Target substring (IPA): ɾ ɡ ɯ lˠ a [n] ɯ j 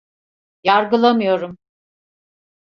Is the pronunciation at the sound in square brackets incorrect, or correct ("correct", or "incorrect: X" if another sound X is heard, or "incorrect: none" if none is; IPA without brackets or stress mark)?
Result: incorrect: m